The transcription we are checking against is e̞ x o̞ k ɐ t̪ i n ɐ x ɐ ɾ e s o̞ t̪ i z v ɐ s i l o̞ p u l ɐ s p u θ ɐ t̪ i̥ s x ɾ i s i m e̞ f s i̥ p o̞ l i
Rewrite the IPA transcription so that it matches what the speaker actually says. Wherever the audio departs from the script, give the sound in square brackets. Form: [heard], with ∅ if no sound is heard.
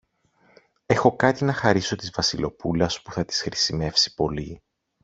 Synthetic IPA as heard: e̞ x o̞ k ɐ t̪ i n ɐ x ɐ ɾ [i] s o̞ t̪ i z v ɐ s i l o̞ p u l ɐ s p u θ ɐ t̪ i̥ s x ɾ i s i m e̞ f s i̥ p o̞ l i